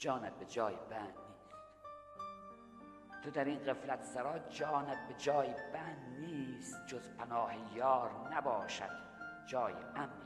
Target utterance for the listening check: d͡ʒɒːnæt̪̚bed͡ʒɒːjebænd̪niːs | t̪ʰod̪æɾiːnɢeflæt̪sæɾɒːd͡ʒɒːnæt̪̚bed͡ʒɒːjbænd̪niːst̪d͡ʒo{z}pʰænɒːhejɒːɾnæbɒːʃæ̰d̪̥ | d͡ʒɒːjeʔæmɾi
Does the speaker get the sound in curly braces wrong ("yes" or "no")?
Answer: no